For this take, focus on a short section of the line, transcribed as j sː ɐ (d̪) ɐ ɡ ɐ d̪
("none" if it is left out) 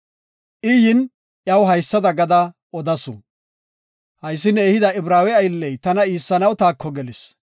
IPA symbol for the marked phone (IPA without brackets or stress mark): d̪